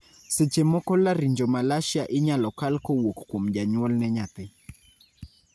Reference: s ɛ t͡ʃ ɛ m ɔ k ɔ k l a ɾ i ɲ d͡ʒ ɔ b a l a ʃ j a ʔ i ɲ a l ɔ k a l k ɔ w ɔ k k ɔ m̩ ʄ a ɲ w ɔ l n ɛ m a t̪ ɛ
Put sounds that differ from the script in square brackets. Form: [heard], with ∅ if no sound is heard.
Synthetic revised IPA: s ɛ t͡ʃ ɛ m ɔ k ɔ [∅] l a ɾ i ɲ d͡ʒ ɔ [m] a l a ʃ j a ʔ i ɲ a l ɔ k a l k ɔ w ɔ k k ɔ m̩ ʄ a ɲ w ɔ l n ɛ [ɲ] a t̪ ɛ